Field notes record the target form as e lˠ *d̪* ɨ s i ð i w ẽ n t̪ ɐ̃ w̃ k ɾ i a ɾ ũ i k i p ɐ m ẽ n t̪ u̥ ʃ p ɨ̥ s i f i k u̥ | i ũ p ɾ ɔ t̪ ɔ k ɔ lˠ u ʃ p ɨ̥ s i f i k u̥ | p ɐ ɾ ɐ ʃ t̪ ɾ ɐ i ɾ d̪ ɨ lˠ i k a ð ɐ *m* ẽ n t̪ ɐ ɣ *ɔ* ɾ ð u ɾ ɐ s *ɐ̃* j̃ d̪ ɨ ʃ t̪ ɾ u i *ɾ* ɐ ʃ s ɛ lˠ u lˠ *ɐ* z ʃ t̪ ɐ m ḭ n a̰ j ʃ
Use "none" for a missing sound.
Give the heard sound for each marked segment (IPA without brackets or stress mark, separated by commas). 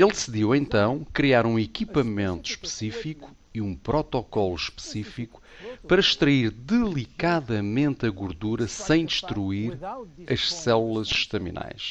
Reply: d̪, m, u, ɐ̃, ɾ, ɐ